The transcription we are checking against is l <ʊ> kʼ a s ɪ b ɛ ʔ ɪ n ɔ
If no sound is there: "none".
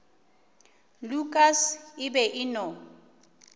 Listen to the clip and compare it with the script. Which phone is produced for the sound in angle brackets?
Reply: u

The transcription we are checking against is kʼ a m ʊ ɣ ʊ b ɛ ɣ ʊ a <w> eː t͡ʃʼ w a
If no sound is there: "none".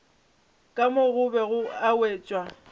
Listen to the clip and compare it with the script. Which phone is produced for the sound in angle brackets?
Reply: w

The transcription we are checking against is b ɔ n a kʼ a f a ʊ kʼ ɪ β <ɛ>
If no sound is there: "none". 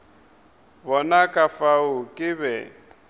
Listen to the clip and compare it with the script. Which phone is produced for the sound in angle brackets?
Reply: ɛ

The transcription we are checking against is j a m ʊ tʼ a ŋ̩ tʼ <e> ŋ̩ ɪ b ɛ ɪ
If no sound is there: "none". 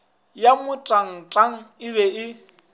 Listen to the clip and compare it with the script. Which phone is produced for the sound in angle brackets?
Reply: a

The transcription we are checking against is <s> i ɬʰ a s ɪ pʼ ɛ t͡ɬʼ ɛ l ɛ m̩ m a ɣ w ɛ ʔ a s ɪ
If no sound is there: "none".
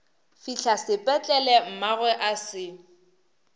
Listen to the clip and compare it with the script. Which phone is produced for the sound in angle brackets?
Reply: f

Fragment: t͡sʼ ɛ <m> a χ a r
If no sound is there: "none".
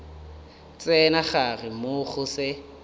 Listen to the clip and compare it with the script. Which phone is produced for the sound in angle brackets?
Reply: n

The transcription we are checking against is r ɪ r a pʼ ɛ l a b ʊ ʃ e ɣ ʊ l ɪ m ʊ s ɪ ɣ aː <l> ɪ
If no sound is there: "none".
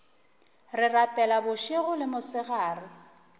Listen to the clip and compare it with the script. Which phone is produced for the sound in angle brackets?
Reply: r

